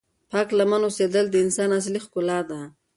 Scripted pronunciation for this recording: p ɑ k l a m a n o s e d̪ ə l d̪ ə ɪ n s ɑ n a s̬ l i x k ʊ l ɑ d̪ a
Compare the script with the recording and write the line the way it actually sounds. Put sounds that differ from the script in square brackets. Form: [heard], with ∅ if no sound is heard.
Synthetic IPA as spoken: p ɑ k l a m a n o s e d̪ ə l d̪ ə ɪ n s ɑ n a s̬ l i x k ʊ l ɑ d̪ a